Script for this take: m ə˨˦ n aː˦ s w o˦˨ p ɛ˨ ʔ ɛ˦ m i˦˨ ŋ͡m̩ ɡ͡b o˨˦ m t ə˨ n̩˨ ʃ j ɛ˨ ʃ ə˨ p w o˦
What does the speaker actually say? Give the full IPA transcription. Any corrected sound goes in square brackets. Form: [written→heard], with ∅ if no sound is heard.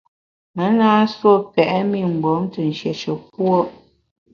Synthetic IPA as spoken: m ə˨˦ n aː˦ s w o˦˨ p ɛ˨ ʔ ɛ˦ m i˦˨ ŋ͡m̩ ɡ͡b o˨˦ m t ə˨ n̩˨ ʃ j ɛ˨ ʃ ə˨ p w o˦